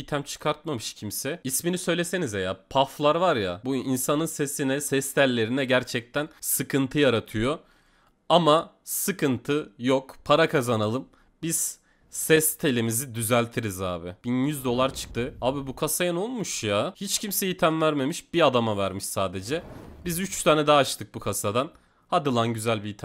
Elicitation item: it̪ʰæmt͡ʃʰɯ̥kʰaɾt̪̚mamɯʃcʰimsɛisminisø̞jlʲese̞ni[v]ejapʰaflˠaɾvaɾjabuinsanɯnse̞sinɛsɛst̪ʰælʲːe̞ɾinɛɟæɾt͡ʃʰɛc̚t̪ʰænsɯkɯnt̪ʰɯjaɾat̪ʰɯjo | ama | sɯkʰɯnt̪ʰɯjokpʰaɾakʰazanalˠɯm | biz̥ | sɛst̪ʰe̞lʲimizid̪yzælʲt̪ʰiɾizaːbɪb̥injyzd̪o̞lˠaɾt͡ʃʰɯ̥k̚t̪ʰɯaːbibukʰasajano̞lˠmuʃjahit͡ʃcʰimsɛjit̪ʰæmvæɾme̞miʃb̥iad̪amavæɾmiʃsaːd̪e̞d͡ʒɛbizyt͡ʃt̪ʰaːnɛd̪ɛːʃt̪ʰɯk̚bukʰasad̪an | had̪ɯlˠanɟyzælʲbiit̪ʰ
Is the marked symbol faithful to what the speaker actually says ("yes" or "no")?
no